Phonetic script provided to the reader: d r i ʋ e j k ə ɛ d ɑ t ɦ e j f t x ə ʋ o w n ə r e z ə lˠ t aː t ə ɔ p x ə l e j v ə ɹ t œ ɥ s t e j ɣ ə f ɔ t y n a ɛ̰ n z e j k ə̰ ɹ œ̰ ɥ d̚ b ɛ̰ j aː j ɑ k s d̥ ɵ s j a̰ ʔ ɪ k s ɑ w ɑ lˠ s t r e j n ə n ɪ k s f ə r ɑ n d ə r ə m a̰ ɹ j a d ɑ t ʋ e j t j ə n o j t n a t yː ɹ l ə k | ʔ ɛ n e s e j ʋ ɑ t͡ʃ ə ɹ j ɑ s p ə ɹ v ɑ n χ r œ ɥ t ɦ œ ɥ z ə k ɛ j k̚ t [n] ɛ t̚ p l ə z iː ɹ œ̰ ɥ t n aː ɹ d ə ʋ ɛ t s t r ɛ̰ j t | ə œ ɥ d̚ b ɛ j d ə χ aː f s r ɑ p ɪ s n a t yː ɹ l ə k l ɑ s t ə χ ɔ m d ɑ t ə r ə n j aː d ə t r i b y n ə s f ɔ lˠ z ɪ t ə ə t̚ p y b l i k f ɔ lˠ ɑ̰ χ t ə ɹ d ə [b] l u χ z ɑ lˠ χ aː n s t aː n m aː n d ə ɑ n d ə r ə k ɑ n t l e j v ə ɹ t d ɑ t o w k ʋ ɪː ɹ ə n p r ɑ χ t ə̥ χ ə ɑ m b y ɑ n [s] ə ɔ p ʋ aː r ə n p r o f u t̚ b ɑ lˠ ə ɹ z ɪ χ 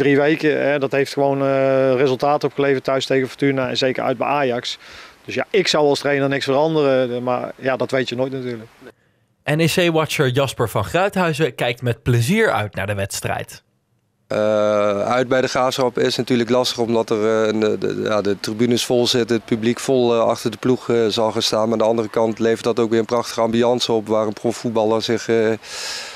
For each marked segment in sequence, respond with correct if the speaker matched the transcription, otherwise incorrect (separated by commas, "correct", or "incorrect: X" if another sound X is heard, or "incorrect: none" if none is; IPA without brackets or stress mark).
incorrect: m, incorrect: p, correct